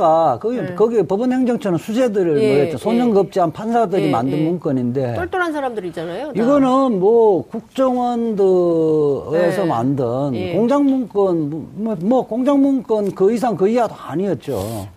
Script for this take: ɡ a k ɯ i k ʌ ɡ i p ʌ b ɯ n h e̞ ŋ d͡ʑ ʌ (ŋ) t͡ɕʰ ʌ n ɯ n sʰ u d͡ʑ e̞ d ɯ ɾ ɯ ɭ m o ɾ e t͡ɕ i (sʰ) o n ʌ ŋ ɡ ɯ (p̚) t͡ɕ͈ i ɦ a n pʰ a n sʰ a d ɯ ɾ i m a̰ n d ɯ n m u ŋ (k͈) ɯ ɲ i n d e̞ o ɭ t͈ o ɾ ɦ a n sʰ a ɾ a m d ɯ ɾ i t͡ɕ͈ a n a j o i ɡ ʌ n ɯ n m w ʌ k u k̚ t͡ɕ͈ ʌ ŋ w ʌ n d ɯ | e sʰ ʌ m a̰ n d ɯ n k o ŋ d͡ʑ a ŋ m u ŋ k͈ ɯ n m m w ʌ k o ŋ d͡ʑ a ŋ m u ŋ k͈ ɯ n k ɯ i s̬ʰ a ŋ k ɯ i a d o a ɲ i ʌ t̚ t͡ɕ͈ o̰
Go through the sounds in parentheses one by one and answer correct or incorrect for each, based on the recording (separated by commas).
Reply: correct, correct, correct, correct